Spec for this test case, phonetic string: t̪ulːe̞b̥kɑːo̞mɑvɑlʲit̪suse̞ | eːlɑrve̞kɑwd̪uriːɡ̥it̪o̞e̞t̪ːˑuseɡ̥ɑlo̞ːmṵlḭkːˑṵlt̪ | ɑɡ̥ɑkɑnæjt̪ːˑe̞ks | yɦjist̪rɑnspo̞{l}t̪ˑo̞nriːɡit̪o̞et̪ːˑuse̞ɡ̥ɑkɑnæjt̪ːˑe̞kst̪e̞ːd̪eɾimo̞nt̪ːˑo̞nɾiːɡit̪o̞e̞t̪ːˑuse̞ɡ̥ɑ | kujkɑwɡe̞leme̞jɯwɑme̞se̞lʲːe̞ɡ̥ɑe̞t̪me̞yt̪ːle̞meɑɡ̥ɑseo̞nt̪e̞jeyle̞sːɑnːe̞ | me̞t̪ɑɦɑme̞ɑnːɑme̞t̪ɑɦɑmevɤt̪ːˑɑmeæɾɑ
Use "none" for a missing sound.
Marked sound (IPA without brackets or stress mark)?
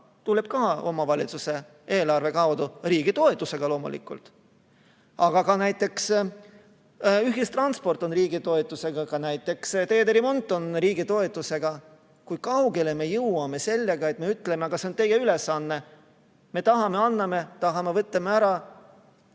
r